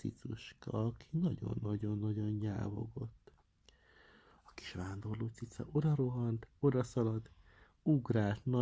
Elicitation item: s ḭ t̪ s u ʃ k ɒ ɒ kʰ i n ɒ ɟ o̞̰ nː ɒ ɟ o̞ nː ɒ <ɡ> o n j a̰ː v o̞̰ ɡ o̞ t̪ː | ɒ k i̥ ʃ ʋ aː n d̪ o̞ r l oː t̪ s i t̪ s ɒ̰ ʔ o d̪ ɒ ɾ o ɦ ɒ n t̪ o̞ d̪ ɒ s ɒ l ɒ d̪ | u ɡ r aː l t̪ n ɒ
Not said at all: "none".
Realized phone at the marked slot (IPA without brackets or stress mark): ɟ